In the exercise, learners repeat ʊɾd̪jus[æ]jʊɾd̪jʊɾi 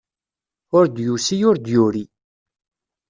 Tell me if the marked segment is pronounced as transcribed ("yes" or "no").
no